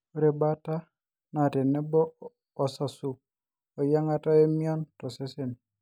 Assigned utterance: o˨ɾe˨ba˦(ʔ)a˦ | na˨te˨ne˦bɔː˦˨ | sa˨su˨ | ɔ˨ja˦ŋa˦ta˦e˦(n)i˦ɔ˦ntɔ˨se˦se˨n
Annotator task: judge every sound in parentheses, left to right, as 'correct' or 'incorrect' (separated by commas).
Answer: incorrect, incorrect